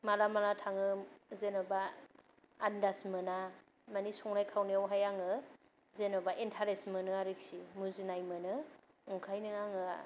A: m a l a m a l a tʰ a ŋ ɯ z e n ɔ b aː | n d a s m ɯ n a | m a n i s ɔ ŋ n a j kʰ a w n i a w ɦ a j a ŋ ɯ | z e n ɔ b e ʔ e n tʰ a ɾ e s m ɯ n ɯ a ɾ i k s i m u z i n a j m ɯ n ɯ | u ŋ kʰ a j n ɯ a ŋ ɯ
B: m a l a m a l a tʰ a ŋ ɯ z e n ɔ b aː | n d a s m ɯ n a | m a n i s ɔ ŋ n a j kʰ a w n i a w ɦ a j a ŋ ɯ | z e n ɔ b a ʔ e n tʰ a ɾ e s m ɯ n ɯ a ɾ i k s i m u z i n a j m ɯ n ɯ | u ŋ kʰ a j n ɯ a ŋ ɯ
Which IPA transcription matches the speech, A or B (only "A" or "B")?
B